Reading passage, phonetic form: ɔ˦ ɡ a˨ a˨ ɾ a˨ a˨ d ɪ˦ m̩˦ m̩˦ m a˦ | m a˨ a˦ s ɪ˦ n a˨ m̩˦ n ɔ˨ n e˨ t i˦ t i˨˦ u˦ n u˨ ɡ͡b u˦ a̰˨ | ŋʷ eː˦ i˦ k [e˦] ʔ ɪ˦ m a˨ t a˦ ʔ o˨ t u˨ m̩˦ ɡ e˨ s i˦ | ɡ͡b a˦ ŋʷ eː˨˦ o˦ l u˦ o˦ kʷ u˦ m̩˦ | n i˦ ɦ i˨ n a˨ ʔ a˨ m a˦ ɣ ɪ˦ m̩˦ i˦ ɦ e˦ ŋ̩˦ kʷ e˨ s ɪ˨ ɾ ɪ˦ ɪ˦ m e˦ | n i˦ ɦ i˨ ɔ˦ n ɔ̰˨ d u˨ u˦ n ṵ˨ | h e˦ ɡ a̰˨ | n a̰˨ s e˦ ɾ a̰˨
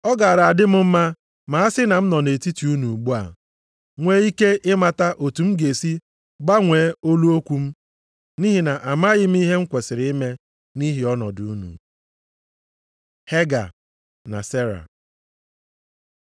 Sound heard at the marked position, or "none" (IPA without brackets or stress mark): e˦